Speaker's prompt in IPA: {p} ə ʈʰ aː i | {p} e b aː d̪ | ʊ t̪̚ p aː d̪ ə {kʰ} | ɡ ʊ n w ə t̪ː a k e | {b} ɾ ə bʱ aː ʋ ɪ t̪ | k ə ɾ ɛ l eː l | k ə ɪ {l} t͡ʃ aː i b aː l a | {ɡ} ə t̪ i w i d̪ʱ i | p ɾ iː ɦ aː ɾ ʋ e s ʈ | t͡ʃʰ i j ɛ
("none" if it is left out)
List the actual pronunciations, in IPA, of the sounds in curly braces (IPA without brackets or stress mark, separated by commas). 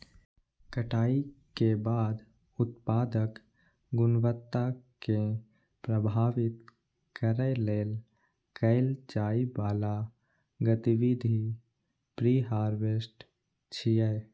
k, k, k, p, l, ɡ